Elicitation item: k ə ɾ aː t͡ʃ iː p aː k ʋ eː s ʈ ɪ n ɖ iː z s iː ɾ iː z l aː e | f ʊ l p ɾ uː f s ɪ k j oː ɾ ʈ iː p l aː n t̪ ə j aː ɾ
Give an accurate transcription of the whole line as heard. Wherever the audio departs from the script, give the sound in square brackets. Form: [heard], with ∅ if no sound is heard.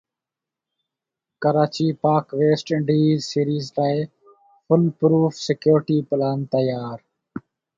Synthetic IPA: k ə ɾ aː t͡ʃ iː p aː k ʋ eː s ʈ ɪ [ɳ] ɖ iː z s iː ɾ iː z l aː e | f ʊ l p ɾ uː f s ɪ k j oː ɾ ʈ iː p l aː n t̪ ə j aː ɾ